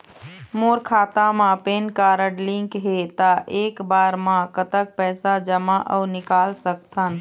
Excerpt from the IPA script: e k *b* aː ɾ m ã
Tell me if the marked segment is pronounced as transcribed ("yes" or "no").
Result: yes